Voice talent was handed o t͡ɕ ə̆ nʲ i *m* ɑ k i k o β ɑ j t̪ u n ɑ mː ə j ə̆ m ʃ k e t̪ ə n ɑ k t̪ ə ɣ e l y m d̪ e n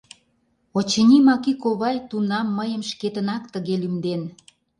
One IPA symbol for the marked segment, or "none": m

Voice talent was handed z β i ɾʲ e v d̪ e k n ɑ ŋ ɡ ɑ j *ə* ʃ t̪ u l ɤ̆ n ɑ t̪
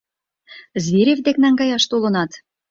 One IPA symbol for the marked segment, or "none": ɑ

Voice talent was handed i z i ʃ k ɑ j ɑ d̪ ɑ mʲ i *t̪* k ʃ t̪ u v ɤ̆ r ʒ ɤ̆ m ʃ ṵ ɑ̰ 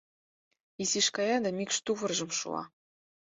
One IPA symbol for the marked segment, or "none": none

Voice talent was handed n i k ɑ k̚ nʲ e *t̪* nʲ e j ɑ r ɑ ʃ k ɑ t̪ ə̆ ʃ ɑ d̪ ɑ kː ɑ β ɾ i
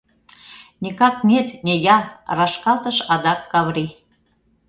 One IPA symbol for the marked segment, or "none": t̪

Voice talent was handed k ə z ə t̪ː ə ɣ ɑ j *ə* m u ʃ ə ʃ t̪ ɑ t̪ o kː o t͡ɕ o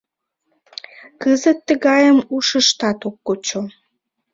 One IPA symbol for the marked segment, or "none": ə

